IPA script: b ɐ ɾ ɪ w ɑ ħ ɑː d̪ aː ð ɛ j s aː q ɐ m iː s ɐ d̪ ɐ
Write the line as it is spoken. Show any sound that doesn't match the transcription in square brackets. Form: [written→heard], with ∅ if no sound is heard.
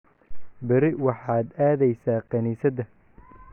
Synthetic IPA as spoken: b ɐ ɾ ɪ w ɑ ħ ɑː d̪ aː ð ɛ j s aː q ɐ [m→n] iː s ɐ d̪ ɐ